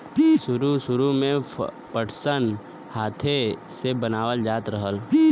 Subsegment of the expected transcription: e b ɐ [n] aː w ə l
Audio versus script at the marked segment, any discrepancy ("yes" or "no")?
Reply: no